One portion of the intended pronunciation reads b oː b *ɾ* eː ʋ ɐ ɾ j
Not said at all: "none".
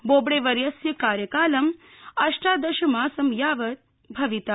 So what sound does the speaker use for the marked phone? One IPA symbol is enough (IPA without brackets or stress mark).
ɽ